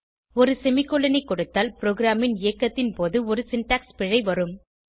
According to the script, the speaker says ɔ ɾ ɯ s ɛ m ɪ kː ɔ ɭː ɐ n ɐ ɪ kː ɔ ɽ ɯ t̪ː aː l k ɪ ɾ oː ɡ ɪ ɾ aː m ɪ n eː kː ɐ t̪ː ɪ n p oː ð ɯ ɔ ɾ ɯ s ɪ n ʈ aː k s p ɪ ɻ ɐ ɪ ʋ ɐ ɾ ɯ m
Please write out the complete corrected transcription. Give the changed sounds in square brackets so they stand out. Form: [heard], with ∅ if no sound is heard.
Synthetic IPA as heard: ɔ ɾ ɯ s ɛ m ɪ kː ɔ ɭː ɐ n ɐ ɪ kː ɔ ɽ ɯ t̪ː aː l [p] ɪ ɾ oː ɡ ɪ ɾ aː m ɪ n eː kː ɐ t̪ː ɪ n p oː ð ɯ ɔ ɾ ɯ s ɪ n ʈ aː k s p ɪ ɻ ɐ ɪ ʋ ɐ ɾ ɯ m